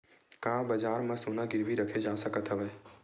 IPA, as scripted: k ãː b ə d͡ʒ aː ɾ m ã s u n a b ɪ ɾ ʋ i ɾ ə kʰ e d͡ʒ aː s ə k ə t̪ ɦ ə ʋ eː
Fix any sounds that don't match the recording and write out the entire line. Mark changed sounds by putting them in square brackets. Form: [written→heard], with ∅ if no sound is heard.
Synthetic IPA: k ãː b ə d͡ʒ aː ɾ m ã s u n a [b→ɡ] ɪ ɾ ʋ i ɾ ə kʰ e d͡ʒ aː s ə k ə t̪ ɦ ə ʋ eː